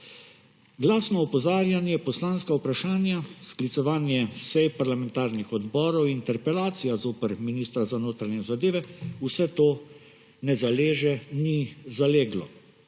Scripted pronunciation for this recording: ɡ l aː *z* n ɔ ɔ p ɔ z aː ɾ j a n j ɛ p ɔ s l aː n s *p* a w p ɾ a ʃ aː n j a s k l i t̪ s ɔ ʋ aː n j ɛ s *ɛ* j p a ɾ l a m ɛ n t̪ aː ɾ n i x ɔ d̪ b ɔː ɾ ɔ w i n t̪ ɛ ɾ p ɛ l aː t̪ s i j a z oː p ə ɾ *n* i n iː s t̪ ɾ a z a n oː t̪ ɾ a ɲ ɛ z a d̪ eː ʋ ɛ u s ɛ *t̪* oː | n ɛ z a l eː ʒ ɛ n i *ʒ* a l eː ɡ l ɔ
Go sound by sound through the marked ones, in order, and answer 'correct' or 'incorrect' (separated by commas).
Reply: incorrect, incorrect, correct, incorrect, correct, incorrect